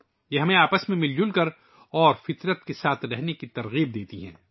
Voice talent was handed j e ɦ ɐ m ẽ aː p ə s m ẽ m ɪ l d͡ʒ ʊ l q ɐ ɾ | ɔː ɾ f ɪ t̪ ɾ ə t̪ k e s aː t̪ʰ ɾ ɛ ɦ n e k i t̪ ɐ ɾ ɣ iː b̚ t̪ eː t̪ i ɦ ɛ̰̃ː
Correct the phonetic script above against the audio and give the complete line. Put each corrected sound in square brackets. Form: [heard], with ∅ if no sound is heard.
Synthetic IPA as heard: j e ɦ ɐ m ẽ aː p ə s m ẽ m ɪ l d͡ʒ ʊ l [k] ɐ ɾ | ɔː ɾ f ɪ t̪ ɾ ə t̪ k e s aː t̪ʰ ɾ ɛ ɦ n e k i t̪ ɐ ɾ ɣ iː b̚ [d̪] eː t̪ i ɦ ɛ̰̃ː